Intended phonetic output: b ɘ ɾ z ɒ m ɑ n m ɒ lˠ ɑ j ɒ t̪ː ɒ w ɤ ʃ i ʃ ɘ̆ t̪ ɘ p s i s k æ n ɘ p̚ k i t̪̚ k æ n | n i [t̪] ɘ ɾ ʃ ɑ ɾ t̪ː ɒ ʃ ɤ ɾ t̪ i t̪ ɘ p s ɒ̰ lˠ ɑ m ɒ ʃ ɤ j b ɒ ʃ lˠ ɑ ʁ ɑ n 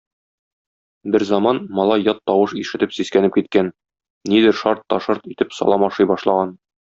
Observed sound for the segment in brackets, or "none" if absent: d̪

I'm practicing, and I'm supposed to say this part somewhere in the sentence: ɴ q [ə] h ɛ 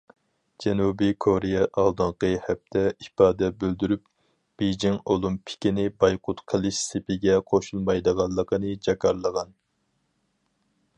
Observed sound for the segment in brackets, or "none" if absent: ə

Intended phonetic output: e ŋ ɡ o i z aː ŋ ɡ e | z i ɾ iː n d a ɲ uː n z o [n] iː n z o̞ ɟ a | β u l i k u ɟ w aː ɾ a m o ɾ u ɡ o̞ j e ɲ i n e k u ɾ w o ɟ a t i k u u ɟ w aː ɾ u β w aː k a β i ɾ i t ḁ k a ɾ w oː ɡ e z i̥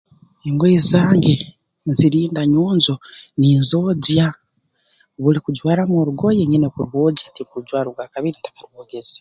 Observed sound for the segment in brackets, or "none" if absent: n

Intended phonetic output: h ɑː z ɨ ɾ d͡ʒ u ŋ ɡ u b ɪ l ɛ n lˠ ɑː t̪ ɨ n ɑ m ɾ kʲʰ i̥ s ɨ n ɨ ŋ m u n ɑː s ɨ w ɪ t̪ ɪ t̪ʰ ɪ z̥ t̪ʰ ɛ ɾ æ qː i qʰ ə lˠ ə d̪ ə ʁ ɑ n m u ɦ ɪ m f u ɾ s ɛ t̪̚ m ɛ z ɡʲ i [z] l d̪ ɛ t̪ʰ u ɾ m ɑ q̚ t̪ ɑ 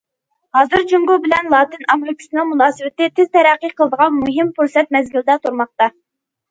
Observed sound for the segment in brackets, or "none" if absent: none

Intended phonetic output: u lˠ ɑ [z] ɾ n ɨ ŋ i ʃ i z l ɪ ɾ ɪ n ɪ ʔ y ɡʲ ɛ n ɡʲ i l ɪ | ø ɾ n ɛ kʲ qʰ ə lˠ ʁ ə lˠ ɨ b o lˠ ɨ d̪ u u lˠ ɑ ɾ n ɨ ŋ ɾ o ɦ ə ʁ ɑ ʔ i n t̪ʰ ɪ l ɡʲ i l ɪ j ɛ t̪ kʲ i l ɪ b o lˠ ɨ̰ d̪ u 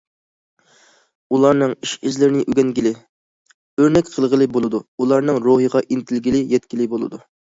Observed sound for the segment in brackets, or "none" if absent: none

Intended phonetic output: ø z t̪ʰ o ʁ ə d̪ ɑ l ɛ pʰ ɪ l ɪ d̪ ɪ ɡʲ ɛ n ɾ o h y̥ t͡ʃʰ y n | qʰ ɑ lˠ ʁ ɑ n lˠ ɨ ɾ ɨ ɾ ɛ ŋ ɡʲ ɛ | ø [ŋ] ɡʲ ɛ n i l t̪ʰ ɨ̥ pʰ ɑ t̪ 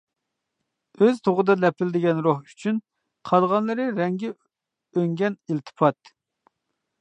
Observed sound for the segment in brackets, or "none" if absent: ŋ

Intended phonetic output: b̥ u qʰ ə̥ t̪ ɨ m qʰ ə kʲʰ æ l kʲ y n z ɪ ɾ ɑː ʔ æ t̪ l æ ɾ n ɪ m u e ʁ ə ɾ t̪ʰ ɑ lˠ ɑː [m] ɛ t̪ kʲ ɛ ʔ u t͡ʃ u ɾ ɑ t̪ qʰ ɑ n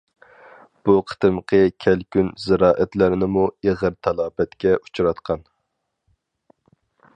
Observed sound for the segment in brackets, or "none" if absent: b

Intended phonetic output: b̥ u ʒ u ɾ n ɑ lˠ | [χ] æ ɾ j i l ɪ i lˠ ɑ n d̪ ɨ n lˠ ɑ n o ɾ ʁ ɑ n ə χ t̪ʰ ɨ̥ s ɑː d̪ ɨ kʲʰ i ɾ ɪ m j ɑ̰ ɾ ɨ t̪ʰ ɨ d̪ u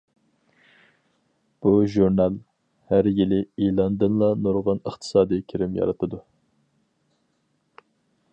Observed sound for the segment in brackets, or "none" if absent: h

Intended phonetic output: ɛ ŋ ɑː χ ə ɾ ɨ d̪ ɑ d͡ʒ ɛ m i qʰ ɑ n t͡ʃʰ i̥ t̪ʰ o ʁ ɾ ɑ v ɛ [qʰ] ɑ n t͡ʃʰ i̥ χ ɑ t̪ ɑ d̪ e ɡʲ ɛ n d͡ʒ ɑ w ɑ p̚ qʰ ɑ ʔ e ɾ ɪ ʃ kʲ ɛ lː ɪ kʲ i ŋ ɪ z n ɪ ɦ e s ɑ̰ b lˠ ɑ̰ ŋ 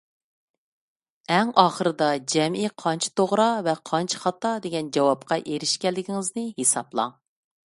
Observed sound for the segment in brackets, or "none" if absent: qʰ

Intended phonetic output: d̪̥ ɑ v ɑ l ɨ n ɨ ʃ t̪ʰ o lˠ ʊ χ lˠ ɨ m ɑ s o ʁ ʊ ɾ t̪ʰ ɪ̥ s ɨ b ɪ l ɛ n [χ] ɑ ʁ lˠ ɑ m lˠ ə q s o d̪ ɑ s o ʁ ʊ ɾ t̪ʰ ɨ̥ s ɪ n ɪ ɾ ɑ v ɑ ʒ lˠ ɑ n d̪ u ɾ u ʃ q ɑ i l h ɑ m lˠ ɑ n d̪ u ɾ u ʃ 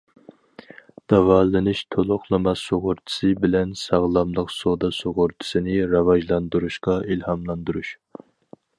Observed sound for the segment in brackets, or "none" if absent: s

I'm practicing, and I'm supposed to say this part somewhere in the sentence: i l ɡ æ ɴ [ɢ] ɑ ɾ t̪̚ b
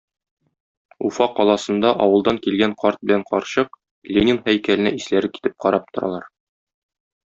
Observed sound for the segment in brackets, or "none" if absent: q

